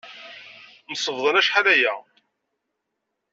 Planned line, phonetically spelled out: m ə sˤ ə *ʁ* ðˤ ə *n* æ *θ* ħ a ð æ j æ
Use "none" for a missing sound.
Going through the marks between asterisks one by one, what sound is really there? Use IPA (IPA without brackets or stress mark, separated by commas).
v, n, ʃ